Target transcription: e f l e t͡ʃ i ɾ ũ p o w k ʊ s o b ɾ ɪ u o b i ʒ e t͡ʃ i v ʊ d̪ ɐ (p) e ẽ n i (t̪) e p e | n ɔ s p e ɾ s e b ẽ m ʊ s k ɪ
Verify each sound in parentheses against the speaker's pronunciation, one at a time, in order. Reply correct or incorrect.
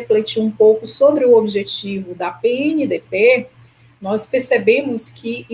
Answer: correct, incorrect

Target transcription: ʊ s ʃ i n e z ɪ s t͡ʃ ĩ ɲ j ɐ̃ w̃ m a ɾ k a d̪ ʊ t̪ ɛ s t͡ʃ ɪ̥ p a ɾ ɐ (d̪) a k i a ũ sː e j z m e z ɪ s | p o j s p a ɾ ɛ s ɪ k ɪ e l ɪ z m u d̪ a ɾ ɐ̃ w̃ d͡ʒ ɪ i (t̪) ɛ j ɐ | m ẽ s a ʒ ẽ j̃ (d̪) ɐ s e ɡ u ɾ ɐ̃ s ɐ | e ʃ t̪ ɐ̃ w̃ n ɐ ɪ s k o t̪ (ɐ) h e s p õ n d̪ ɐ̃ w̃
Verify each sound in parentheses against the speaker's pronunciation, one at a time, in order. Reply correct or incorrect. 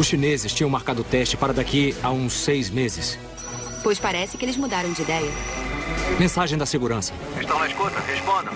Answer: correct, incorrect, correct, correct

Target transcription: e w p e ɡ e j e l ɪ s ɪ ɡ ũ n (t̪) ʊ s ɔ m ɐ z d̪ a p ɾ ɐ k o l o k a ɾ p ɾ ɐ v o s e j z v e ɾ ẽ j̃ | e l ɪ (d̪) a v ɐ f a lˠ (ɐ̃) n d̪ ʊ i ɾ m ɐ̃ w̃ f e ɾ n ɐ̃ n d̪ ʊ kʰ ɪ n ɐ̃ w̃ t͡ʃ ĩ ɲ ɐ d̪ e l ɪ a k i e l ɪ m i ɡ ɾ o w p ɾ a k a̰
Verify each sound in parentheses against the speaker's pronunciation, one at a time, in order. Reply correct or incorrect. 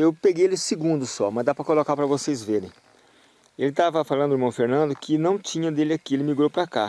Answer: incorrect, incorrect, correct

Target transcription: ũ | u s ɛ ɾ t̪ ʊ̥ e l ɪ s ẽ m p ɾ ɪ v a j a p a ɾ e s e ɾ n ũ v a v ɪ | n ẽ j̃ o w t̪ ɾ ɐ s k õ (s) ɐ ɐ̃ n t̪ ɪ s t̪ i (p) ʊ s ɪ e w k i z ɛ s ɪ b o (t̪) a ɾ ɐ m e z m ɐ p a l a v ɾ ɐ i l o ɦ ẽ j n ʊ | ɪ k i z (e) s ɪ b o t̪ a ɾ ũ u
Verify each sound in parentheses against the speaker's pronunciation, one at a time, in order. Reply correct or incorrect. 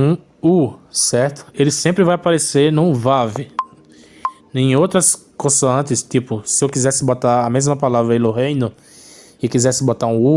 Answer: correct, correct, correct, incorrect

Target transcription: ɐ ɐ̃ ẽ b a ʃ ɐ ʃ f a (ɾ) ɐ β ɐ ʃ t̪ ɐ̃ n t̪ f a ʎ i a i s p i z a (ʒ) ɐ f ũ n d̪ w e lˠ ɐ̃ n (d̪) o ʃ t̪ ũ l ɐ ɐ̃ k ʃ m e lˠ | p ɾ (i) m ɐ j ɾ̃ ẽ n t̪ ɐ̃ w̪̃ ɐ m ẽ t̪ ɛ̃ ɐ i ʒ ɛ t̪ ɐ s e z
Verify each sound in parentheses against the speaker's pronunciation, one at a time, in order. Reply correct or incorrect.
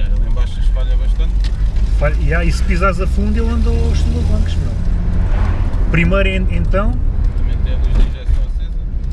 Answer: incorrect, incorrect, correct, correct

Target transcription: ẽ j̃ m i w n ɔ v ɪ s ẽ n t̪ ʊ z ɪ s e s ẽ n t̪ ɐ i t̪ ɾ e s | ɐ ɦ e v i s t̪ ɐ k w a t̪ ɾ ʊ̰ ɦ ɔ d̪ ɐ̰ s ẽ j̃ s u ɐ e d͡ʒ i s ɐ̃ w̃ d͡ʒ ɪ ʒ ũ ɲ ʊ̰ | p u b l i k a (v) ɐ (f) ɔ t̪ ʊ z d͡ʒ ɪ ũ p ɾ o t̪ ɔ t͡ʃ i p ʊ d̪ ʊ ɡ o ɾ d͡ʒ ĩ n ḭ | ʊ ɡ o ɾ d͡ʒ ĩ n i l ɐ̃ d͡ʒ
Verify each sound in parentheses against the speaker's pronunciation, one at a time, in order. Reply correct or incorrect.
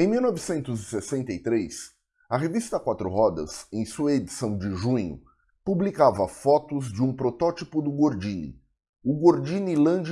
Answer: correct, correct

